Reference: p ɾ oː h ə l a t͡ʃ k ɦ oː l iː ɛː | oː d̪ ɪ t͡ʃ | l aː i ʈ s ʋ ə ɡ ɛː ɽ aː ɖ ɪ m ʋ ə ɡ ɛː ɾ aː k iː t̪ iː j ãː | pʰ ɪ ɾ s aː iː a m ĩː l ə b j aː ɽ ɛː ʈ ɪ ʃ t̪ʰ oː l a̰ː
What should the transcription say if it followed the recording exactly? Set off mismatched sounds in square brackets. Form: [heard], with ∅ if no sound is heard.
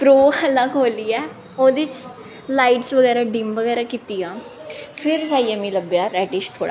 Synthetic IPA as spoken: p ɾ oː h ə l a [∅] k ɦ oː l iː ɛː | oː d̪ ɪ t͡ʃ | l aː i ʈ s ʋ ə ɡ ɛː [ɾ] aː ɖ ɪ m ʋ ə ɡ ɛː ɾ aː k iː t̪ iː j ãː | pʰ ɪ ɾ s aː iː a m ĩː l ə b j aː [ɾ] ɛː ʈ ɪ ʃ t̪ʰ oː [ɽ] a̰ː